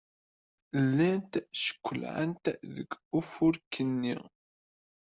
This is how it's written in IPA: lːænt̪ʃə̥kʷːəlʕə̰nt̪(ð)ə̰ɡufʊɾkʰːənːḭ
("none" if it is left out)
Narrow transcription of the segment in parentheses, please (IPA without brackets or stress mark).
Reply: ð